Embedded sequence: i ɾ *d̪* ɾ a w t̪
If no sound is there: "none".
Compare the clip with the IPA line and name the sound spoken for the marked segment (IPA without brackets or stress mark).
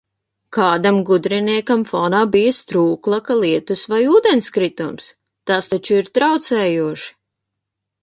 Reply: t̪